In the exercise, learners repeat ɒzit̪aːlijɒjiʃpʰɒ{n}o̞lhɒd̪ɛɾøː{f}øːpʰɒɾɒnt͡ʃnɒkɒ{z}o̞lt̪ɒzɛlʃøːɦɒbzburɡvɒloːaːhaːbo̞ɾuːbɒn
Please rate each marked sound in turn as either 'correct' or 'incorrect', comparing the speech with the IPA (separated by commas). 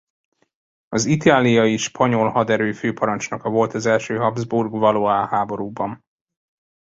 incorrect, correct, incorrect